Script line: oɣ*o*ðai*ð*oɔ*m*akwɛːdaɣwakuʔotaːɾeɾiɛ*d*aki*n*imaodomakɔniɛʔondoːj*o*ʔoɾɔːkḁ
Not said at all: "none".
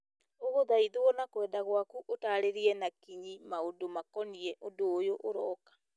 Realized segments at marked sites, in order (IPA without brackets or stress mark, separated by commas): o, ð, n, n, ɲ, o